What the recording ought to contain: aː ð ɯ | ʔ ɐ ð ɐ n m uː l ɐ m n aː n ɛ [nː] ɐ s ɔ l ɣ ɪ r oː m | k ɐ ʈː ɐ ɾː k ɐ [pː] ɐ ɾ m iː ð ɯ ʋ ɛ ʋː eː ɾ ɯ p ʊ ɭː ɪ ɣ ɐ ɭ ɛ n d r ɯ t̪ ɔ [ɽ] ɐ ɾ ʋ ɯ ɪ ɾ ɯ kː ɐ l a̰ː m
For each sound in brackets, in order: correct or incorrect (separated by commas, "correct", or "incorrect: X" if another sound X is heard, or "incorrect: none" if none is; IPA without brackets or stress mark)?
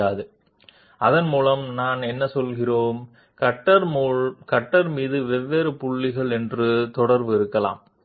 correct, incorrect: ʈː, correct